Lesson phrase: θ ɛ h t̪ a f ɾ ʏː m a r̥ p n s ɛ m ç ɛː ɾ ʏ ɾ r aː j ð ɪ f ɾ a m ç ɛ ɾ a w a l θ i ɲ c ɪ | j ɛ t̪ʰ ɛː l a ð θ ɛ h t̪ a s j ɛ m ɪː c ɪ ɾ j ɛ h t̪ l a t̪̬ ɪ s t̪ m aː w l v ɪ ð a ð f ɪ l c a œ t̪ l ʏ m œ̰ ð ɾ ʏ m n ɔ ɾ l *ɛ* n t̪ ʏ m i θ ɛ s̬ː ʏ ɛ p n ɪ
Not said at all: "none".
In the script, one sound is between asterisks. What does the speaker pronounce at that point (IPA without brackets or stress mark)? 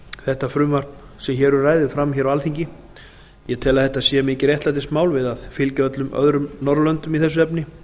œ